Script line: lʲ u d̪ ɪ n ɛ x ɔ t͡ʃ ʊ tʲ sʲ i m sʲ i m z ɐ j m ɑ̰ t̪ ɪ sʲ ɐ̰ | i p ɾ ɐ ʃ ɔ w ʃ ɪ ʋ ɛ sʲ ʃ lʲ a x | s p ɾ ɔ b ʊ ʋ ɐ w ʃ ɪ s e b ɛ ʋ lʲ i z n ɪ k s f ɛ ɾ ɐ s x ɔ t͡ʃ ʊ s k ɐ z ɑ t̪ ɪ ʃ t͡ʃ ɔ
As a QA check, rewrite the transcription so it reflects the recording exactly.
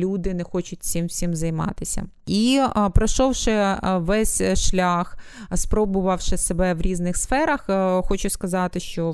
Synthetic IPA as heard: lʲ u d̪ ɪ n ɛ x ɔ t͡ʃ ʊ tʲ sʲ i m sʲ i m z ɐ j m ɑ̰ t̪ ɪ sʲ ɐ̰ | i p ɾ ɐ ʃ ɔ w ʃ ɪ ʋ ɛ sʲ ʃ lʲ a x | s p ɾ ɔ b ʊ ʋ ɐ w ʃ ɪ s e b ɛ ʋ ɾʲ i z n ɪ x s f ɛ ɾ ɐ x x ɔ t͡ʃ ʊ s k ɐ z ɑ t̪ ɪ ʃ t͡ʃ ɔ